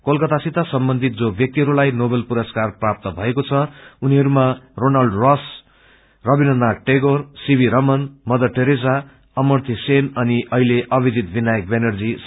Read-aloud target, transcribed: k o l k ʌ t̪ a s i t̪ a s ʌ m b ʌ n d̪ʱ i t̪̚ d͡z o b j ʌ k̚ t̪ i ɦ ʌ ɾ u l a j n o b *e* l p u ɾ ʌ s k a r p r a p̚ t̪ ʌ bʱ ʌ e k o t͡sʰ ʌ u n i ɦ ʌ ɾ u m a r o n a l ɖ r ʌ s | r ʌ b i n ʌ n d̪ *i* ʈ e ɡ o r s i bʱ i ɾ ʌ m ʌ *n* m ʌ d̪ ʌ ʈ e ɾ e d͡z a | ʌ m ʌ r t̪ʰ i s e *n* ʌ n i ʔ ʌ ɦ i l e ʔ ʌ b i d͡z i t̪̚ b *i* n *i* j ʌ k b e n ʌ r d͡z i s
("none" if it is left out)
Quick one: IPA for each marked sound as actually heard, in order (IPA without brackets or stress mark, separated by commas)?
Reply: e, a, n, n, i, a